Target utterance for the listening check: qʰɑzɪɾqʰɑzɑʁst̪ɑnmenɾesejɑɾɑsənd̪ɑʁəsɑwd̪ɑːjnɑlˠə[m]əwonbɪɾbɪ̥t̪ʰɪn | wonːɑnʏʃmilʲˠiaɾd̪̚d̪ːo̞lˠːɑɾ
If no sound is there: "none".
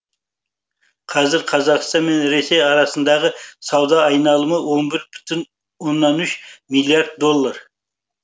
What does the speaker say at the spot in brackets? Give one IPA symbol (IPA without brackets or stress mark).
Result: m